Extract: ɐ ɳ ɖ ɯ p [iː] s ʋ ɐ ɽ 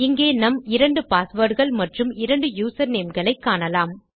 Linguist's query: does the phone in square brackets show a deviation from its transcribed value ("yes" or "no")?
yes